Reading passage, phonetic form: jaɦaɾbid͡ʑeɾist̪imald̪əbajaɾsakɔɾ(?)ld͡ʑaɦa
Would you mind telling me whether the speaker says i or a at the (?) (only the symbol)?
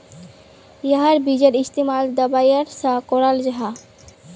a